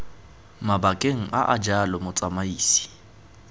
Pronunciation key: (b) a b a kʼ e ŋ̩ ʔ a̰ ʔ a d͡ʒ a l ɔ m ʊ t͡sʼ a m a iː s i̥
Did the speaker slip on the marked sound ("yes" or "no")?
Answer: yes